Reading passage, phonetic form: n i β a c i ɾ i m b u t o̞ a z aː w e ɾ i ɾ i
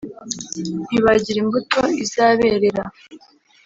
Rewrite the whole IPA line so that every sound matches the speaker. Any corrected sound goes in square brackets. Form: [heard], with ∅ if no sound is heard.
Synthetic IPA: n i β a [ɟ] i ɾ i m b u t o̞ [i] z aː [β] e ɾ [e] ɾ [a]